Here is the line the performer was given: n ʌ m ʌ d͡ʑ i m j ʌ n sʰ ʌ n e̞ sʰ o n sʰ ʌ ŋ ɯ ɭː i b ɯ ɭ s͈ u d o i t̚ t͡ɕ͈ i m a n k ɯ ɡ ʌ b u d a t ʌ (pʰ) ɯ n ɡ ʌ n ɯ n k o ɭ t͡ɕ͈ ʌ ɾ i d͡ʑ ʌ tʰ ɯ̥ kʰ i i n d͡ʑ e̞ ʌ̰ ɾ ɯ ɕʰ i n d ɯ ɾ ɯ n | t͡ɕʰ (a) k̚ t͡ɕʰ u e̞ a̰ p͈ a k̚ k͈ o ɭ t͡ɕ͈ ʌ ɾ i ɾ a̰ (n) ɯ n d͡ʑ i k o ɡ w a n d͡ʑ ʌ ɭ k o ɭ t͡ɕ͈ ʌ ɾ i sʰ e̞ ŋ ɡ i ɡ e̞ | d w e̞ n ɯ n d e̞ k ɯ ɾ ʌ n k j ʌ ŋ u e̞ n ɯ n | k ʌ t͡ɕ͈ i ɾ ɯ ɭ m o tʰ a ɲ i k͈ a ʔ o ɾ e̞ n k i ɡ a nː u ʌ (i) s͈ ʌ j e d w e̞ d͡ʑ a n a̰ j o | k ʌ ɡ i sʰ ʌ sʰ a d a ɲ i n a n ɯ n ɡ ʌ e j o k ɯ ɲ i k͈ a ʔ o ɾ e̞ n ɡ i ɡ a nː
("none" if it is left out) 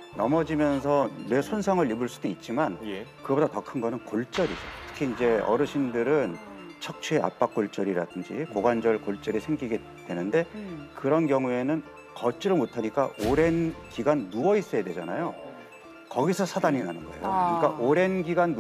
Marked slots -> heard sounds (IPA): kʰ, ʌ, d, i

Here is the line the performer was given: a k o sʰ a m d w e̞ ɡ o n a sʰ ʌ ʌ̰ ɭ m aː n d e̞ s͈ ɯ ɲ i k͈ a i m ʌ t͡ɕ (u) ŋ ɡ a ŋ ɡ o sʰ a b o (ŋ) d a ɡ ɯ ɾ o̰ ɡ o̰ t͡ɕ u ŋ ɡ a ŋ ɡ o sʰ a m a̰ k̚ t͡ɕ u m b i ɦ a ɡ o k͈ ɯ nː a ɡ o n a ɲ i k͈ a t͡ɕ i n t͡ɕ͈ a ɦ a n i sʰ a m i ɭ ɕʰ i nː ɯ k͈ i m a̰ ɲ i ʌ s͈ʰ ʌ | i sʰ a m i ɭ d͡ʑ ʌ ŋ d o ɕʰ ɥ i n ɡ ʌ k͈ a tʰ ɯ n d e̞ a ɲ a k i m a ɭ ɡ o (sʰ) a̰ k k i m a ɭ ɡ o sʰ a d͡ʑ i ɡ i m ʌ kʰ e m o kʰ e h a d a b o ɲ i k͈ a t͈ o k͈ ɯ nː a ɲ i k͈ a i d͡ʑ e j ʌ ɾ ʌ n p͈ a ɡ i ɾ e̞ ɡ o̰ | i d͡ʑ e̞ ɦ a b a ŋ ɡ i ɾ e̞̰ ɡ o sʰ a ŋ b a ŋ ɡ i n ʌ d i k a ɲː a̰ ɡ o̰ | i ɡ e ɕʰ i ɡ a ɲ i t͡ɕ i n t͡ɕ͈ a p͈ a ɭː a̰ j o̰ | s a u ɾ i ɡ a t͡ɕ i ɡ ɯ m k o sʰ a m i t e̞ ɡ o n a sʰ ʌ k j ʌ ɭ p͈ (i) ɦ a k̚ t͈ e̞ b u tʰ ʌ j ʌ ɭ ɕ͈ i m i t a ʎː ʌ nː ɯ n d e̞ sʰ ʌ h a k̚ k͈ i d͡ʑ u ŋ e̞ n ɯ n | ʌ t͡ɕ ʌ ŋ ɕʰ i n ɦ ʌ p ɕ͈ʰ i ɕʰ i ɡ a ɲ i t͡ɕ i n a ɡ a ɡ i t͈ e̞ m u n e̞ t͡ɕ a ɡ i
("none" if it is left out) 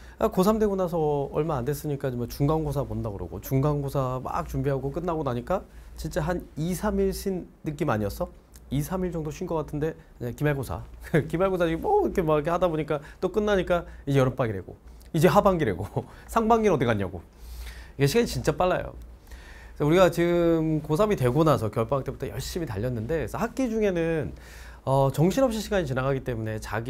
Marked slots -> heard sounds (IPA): u, n, sʰ, a

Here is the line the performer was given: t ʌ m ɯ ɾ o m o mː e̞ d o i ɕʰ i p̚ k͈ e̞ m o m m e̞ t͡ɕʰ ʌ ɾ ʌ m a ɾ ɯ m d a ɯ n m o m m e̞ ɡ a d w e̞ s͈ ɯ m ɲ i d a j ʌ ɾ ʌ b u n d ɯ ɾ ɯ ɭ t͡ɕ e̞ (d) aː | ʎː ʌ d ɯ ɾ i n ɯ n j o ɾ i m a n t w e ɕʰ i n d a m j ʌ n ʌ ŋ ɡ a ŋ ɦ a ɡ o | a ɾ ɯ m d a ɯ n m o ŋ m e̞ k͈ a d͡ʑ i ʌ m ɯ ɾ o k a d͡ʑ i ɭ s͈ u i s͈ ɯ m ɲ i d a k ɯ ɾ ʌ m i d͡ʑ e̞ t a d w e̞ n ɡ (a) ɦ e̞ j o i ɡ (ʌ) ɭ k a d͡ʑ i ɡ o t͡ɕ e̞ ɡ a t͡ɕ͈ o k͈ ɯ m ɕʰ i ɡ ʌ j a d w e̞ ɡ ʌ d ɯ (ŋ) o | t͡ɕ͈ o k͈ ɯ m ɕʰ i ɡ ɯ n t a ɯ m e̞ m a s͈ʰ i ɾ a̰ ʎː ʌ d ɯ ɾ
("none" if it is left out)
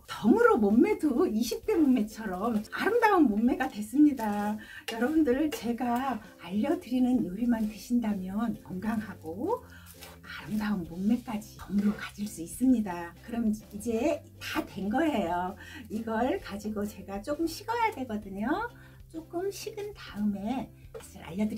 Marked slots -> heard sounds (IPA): ɡ, ʌ, ʌ, ɲ

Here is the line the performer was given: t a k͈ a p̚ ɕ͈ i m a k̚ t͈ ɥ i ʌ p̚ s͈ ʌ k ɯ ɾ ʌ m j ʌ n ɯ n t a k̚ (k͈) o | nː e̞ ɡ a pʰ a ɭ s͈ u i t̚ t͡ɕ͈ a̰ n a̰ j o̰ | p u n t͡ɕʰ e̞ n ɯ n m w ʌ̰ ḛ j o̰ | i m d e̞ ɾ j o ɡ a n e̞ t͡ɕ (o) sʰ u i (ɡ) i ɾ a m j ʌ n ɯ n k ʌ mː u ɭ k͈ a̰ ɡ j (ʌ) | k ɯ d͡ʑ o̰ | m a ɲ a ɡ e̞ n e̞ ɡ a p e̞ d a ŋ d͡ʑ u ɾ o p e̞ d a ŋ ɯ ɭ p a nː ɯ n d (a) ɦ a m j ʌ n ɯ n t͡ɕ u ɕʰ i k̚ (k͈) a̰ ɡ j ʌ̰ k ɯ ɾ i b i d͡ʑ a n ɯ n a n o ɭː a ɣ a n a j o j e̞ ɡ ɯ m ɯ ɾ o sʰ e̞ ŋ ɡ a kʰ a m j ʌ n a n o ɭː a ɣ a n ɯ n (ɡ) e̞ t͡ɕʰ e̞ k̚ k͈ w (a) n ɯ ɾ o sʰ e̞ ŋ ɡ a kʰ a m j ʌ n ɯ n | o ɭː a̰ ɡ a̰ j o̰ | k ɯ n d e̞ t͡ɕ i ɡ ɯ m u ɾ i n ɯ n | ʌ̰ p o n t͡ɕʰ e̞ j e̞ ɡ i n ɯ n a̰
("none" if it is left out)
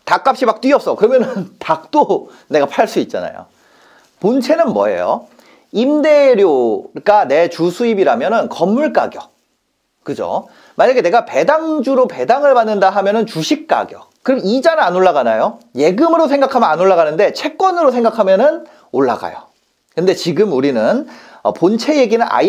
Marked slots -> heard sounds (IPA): t͈, u, b, ʌ, a, k͈, d, ʌ

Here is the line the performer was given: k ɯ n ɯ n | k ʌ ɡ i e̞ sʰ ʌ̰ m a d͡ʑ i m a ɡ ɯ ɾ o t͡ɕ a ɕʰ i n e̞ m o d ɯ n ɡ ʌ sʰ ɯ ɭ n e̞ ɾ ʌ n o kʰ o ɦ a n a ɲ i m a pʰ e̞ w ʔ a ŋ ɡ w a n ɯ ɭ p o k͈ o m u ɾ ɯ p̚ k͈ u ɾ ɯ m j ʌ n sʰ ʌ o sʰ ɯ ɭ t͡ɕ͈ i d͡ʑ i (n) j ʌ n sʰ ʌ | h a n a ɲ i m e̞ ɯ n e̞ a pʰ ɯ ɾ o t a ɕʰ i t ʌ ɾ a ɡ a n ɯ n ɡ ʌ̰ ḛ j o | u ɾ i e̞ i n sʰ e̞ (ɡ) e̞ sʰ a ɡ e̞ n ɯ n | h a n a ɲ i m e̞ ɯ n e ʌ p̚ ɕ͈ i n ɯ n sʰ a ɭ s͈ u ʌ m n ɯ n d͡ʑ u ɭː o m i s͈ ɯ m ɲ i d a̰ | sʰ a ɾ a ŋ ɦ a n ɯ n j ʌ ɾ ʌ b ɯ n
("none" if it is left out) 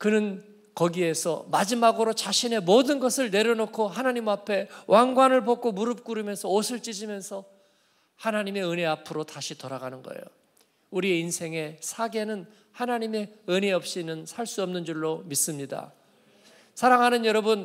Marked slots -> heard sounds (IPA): m, ŋ

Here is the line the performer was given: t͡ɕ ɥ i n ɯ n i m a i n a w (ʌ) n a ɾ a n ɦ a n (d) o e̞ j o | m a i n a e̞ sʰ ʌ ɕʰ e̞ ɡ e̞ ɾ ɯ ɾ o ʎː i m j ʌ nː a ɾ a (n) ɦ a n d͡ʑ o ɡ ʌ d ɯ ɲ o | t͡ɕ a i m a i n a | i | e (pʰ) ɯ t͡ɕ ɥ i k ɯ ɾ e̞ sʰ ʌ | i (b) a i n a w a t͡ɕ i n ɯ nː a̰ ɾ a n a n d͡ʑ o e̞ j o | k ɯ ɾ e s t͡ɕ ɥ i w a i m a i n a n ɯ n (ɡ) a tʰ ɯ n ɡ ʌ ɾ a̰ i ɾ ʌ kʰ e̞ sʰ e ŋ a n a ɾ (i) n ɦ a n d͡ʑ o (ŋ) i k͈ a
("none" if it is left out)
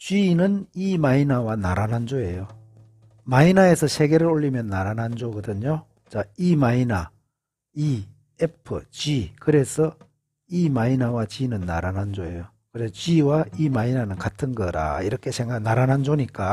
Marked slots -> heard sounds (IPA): a, d͡ʑ, n, pʰ, m, k, a, ɲ

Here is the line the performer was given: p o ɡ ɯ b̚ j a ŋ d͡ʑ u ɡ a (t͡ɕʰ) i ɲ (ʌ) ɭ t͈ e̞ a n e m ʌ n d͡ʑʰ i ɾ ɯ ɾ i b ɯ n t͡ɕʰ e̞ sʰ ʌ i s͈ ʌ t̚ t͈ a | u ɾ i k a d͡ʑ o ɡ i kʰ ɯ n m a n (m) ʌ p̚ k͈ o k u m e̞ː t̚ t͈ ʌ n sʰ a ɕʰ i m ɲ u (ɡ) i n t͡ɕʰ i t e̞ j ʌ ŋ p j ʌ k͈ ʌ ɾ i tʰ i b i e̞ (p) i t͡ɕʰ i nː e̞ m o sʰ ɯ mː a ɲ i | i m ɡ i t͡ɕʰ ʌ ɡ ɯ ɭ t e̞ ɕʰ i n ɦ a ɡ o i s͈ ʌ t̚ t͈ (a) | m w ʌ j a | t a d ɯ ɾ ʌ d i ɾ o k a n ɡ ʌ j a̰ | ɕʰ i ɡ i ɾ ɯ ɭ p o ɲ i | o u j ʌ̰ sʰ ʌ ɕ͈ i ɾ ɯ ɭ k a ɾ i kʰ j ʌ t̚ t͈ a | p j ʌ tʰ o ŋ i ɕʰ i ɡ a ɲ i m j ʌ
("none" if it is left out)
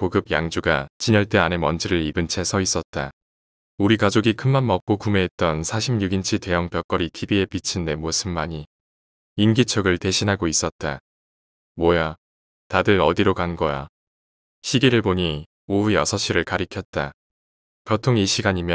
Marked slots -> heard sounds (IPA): t͡ɕ, ʌ, m, ɡ, p, a

